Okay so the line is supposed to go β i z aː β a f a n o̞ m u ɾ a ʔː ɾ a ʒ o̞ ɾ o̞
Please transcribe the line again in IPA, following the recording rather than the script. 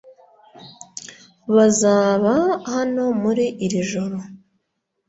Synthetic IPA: β a z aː β a h a n o̞ m u ɾ i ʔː ɾ i ʒ o̞ ɾ o̞